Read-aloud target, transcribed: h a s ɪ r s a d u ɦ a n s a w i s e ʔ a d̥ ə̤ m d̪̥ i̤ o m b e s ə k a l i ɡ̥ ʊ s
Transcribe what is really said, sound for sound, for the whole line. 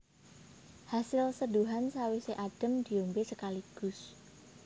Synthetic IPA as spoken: h a s ɪ l s ə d u ɦ a n s a w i s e ʔ a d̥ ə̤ m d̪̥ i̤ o m b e s ə k a l i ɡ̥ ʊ s